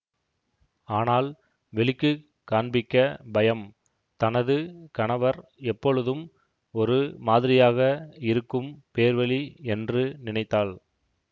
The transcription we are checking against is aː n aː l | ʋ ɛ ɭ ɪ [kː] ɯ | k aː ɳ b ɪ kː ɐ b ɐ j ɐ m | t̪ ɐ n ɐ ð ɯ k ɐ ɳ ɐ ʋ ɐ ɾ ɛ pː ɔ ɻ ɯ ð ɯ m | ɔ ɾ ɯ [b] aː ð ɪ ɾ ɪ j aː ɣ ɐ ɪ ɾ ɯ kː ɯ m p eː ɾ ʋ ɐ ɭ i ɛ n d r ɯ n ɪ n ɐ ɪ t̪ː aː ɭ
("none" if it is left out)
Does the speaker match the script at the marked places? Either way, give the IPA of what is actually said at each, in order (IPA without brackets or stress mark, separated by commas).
kː, m